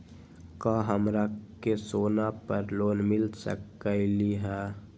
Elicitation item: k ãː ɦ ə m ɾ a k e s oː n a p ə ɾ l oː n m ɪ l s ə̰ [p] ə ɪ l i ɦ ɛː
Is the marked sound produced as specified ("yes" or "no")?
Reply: no